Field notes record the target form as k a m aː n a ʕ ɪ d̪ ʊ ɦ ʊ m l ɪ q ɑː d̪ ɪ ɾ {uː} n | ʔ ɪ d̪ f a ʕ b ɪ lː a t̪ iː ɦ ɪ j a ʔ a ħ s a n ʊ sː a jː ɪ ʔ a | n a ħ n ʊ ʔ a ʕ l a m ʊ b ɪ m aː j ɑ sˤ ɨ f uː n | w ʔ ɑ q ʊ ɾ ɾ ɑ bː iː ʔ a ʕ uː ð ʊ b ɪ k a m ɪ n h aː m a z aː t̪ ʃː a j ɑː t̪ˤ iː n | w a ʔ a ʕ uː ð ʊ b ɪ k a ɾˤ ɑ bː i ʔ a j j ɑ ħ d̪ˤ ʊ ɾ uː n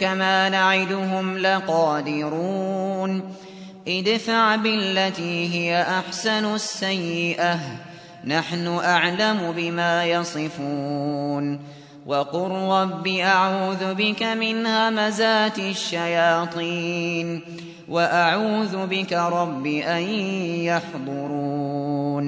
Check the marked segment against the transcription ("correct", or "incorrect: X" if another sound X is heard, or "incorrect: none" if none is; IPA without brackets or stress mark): correct